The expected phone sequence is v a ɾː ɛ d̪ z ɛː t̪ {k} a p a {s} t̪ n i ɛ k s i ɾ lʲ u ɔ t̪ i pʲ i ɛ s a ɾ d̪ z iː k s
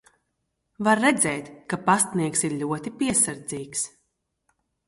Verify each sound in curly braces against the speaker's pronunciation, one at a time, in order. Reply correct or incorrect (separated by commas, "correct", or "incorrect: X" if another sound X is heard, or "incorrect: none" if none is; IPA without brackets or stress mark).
correct, correct